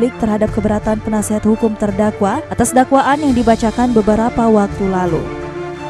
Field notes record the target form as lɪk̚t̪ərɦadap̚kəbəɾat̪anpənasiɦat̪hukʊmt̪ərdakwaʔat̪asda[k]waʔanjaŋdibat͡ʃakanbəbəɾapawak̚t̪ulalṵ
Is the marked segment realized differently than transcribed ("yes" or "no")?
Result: no